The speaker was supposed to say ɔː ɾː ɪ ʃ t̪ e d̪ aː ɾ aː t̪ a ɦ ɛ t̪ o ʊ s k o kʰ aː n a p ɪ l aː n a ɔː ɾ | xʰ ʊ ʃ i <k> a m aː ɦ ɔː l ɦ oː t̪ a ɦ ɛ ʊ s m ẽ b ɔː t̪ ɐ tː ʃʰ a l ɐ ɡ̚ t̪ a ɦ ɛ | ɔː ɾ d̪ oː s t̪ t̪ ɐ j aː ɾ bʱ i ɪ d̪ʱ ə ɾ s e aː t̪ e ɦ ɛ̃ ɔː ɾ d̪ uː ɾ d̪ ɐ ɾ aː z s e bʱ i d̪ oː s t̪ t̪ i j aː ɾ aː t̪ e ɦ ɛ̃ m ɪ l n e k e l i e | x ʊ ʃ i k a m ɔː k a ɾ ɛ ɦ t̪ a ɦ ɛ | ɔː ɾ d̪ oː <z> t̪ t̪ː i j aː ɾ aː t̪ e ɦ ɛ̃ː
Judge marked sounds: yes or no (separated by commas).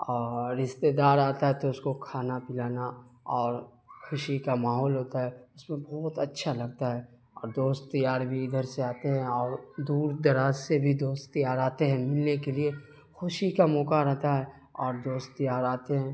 yes, no